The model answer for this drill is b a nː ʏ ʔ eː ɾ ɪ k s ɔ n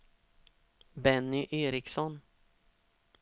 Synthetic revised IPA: b ɛ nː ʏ ʔ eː ɾ ɪ k s ɔ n